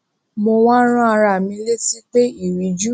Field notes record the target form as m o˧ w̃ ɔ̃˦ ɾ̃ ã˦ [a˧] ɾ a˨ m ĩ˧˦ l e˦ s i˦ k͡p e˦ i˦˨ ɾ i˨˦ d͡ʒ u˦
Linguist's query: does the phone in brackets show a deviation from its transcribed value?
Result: no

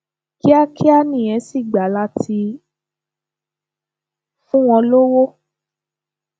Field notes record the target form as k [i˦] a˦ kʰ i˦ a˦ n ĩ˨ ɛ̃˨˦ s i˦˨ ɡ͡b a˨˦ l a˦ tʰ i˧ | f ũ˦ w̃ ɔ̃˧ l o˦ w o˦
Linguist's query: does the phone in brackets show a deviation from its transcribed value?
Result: no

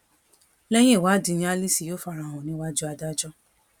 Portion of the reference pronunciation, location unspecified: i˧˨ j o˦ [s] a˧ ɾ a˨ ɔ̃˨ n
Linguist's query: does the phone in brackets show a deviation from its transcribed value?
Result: yes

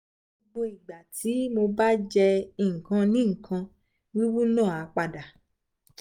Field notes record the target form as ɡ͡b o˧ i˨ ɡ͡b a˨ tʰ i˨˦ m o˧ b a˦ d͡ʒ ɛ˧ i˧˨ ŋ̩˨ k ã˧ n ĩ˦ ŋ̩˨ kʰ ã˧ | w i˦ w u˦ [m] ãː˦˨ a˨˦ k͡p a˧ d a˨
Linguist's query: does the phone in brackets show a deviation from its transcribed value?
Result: yes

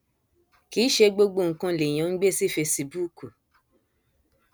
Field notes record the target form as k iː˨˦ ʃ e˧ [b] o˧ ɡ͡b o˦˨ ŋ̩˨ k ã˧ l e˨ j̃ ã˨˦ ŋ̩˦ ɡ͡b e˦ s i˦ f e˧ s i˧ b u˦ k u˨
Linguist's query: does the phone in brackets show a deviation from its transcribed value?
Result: yes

